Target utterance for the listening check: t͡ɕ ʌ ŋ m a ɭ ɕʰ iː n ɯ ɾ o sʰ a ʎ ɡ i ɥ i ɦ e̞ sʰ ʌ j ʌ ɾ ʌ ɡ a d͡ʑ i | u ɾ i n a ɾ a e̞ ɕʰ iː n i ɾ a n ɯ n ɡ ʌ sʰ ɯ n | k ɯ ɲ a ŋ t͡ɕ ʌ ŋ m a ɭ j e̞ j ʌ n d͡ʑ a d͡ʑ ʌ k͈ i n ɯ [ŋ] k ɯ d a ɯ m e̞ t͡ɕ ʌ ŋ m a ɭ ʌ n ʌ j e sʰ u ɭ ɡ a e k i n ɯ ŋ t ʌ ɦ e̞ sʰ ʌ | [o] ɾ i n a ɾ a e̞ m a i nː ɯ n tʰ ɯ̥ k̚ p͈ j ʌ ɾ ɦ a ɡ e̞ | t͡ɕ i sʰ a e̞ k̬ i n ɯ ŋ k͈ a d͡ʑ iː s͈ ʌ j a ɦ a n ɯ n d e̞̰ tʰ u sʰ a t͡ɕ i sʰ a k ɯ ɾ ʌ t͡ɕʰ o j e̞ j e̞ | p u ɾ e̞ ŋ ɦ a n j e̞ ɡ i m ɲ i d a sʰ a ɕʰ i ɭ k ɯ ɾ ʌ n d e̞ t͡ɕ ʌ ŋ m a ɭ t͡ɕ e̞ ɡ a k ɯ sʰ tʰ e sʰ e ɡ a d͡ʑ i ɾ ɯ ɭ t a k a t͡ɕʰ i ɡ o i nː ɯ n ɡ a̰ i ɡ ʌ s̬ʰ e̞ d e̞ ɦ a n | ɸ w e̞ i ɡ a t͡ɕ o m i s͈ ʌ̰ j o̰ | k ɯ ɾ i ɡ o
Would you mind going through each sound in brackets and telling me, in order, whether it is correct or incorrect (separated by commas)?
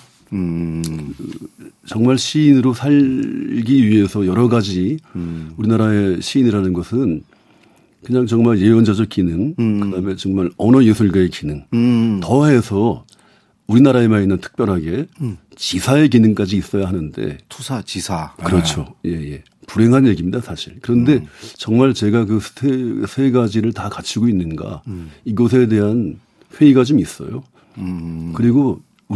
correct, incorrect